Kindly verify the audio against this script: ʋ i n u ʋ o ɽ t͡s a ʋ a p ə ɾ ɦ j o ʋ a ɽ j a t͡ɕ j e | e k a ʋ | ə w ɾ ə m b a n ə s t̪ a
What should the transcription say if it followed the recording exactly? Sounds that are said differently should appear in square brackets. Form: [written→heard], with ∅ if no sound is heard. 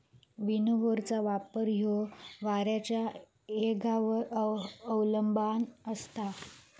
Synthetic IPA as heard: ʋ i n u ʋ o [ɽ→ɾ] t͡s a ʋ a p ə ɾ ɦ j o ʋ a [ɽ→ɾ] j a t͡ɕ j [e→a] | e [k→ɡ] a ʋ | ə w [ɾ→l] ə m b a n ə s t̪ a

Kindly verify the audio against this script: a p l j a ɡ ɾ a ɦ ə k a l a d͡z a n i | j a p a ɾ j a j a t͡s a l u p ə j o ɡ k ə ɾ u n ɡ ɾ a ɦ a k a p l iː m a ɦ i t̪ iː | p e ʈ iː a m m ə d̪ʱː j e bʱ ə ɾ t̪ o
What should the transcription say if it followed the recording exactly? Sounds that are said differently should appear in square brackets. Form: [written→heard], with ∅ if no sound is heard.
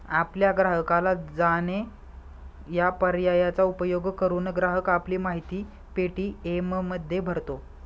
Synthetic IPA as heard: a p l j a ɡ ɾ a ɦ ə k a l a d͡z a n [i→e] | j a p [a→ə] ɾ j a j a t͡s a [l→∅] u p ə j o ɡ k ə ɾ [u→uː] n ɡ ɾ a ɦ [a→ə] k a p l iː m a ɦ i t̪ iː | p e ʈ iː [a→e] m m ə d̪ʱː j e bʱ ə ɾ t̪ o

